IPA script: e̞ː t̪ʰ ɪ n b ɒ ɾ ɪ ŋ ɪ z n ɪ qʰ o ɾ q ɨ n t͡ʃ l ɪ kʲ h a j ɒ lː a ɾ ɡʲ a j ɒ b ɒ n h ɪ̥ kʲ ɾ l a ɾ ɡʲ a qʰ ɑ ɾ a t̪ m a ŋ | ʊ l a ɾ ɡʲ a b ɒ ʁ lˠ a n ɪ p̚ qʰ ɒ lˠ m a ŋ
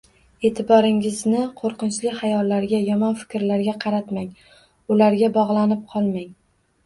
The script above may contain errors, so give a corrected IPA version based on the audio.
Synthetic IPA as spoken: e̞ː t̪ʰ ɪ b ɒ ɾ ɪ ŋ ɪ z n ɪ qʰ o ɾ q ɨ n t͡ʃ l ɪ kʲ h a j ɒ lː a ɾ ɡʲ a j ɒ m ɒ n f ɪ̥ kʲ ɾ l a ɾ ɡʲ a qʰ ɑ ɾ a t̪ m a ŋ | ʊ l a ɾ ɡʲ a b ɒ ʁ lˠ a n ɪ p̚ qʰ ɒ lˠ m a ŋ